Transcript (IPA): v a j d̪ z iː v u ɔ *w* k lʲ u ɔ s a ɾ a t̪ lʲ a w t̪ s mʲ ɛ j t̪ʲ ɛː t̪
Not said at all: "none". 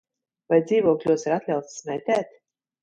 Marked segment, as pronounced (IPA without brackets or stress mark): none